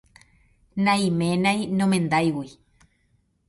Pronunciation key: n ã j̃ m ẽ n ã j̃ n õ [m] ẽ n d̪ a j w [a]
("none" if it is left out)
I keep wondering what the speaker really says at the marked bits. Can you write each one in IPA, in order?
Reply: m, i

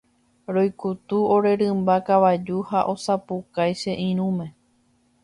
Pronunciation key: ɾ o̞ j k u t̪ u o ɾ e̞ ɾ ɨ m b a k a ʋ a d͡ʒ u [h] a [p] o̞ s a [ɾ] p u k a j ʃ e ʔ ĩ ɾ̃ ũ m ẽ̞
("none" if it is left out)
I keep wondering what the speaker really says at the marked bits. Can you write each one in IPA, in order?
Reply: h, ʔ, none

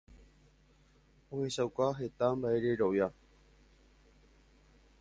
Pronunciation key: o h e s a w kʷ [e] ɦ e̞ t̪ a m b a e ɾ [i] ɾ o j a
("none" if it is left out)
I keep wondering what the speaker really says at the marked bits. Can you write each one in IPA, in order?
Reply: a, e

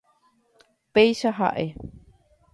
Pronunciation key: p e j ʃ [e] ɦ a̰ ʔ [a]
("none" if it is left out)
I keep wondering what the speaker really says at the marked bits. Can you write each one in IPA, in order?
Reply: a, e

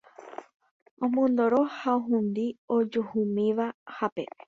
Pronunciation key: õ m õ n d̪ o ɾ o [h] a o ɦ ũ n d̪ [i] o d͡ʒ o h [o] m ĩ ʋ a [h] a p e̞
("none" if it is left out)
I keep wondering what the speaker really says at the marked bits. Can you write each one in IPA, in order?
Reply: h, i, u, h

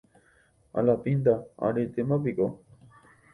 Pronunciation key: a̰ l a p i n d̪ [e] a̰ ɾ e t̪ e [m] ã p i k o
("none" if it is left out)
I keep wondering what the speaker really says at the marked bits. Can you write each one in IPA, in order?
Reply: a, m

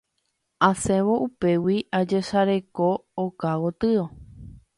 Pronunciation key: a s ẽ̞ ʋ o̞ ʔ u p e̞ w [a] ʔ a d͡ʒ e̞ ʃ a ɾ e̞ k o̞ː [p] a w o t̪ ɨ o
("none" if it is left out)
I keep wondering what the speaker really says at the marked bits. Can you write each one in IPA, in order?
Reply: i, k

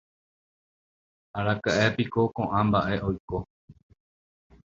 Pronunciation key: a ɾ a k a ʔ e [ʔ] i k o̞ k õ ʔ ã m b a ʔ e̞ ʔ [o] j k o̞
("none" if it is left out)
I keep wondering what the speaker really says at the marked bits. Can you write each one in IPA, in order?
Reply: p, o

